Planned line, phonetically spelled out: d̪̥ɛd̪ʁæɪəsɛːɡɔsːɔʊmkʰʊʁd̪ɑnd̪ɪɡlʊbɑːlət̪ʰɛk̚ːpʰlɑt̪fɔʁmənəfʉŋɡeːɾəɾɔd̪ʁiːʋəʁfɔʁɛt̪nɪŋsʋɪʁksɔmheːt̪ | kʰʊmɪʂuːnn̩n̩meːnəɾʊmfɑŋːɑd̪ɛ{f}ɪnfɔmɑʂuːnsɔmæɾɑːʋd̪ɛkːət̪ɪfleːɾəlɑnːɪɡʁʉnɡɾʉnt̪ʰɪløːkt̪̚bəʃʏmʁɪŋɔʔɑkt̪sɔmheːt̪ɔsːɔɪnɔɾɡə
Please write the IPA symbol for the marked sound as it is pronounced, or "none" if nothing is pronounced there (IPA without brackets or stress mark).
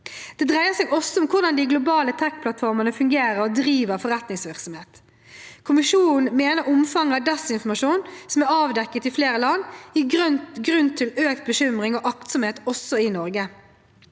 s